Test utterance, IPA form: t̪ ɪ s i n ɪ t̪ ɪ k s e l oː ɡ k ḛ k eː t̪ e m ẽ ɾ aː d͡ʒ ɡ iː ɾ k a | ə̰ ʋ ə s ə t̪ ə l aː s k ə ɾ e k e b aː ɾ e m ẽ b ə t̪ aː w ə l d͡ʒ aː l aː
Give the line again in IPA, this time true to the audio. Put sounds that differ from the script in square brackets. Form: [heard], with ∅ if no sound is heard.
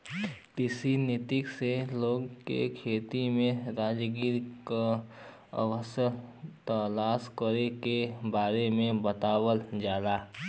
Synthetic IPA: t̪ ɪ s i n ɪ t̪ ɪ k s e l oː ɡ k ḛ [kʰ] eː t̪ [i] m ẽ ɾ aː d͡ʒ ɡ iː ɾ k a | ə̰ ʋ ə s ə t̪ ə l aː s k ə ɾ e k e b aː ɾ e m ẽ b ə t̪ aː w ə l d͡ʒ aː l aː